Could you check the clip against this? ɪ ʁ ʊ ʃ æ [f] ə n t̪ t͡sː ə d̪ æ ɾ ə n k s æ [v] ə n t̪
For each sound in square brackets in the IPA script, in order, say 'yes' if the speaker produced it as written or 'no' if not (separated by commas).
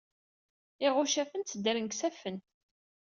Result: yes, no